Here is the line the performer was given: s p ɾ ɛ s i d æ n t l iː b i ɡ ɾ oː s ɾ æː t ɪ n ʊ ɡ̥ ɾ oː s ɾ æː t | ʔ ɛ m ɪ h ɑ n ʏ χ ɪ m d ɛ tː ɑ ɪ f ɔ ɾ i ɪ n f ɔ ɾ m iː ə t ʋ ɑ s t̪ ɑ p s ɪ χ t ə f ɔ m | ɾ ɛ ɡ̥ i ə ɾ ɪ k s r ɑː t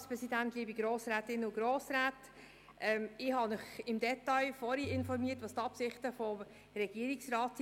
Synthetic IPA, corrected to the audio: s p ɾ ɛ s i d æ n t l iː b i ɡ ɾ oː s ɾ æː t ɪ n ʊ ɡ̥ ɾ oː s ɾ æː t | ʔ ɛ m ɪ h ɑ n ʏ χ ɪ m d ɛ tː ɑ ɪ f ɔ ɾ i ɪ n f ɔ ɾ m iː ə t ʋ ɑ s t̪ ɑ p s ɪ χ t ə f ɔ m | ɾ ɛ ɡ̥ i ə ɾ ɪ k s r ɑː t